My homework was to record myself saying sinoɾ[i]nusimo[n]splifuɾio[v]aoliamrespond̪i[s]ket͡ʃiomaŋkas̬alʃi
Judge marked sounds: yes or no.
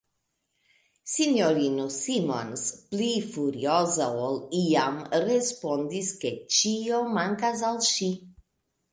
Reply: yes, yes, no, yes

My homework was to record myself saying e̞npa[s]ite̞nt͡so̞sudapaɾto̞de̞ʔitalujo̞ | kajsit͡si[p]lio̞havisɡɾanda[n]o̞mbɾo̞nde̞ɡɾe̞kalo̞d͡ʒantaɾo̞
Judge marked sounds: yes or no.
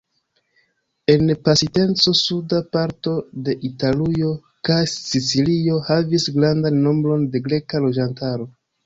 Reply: yes, no, no

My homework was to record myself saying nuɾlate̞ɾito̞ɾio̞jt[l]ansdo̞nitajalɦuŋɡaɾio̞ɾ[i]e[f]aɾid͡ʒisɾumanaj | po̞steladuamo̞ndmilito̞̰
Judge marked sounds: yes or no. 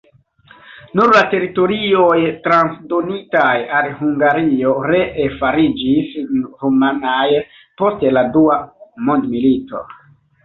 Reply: no, no, yes

